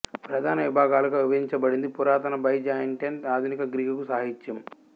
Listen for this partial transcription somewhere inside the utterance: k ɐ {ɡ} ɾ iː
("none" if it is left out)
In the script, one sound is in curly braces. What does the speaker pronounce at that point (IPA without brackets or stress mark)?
ɡ